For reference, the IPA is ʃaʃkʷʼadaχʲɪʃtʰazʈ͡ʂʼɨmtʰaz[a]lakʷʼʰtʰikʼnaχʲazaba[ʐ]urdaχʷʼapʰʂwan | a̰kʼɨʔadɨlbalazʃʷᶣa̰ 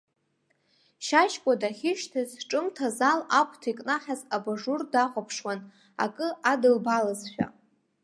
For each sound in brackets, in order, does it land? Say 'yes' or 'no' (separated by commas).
yes, yes